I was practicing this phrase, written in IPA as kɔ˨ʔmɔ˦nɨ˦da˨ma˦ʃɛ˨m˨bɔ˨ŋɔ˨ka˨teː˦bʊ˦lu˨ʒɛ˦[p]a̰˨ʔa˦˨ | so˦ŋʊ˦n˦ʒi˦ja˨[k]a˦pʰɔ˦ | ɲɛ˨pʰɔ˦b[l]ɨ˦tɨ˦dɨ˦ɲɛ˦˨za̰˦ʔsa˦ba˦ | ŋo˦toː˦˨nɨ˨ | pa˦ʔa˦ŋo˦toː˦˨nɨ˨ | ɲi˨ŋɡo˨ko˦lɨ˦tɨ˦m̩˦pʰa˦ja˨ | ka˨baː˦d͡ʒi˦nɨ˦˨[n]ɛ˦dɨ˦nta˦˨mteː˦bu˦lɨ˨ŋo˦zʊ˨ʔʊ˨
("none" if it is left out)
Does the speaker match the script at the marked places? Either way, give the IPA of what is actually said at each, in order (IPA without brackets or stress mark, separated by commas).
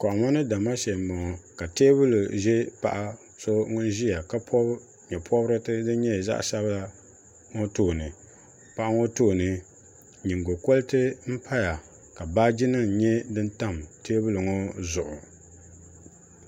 p, k, ɾ, ɲ